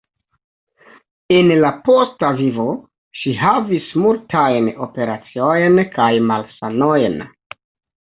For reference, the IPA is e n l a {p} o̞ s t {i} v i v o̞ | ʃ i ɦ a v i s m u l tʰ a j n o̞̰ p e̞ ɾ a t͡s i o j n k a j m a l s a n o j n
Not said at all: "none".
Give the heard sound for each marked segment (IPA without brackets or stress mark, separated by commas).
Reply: p, a